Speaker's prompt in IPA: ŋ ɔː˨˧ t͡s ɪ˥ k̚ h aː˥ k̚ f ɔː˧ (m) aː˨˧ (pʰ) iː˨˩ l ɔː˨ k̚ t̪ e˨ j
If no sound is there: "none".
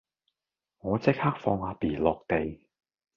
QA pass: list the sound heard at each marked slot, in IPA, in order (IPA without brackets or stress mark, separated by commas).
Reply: ŋ, p